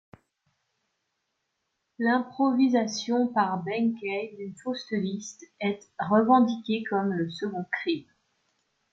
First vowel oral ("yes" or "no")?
no